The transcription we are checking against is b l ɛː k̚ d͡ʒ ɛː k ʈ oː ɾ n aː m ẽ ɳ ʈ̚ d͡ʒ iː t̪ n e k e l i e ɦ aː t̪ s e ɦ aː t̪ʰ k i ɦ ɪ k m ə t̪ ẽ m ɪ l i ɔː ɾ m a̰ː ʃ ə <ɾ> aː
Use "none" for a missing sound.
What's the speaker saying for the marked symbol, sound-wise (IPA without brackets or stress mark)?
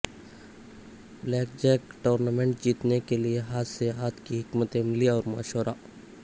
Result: ɾ